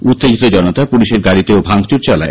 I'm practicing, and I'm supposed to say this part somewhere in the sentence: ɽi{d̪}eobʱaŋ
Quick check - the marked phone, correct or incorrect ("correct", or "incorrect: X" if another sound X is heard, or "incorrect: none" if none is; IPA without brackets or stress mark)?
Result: incorrect: t̪